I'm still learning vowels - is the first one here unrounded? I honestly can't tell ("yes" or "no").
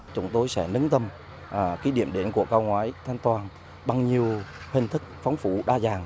no